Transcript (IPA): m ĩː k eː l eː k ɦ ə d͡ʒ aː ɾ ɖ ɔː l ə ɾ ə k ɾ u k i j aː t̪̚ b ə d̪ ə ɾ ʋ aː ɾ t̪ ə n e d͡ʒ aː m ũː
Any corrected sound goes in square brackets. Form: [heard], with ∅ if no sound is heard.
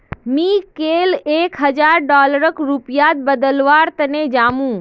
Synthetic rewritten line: m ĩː k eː l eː k ɦ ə d͡ʒ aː ɾ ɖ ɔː l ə ɾ ə k ɾ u [p] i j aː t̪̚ b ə d̪ ə [l] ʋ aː ɾ t̪ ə n e d͡ʒ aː m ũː